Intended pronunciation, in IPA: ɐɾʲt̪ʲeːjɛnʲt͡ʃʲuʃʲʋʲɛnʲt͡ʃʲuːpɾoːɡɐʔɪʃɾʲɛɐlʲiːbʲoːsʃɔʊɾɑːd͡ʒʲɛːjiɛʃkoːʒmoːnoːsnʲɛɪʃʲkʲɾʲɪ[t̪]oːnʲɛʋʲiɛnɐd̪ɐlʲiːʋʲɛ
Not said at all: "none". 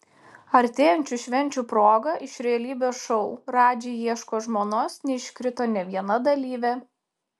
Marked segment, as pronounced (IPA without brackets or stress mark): t̪